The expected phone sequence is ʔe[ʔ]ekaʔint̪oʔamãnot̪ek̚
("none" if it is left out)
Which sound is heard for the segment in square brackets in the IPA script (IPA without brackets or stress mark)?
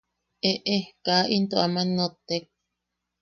ʔ